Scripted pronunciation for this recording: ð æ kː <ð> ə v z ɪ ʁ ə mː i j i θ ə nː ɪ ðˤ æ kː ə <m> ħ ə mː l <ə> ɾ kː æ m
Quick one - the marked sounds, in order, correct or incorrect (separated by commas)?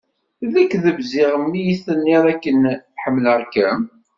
correct, incorrect, correct